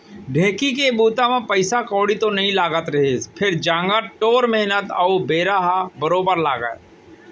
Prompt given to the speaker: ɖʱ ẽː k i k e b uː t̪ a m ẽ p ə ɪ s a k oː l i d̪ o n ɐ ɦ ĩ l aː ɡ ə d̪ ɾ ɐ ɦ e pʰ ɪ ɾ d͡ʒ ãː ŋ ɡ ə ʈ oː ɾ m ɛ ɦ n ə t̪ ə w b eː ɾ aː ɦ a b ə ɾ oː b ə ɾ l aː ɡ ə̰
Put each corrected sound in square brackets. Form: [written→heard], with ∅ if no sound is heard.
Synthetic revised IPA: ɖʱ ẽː k i k e b uː t̪ a m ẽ p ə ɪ s a k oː [l→ɽ] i [d̪→t̪] o n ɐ ɦ ĩ l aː ɡ ə [d̪→t̪] ɾ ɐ ɦ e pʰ ɪ ɾ d͡ʒ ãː ŋ ɡ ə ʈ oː ɾ m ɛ ɦ n ə t̪ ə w b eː ɾ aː ɦ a b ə ɾ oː b ə ɾ l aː ɡ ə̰